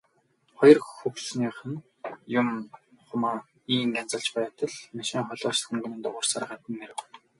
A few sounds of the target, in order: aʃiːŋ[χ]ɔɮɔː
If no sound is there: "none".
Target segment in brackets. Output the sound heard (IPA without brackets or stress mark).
χ